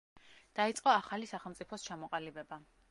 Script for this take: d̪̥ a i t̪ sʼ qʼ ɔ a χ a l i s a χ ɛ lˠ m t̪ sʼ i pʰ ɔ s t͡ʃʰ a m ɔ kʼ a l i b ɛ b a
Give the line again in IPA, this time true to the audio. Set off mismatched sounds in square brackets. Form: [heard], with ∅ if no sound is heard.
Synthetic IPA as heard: d̪̥ a i t̪ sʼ qʼ ɔ a χ a l i s a χ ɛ lˠ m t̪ sʼ i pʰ ɔ s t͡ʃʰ a m ɔ [qʼ] a l i b ɛ b a